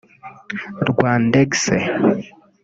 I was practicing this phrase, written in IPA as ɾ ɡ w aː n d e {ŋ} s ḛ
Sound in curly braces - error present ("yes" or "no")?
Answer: yes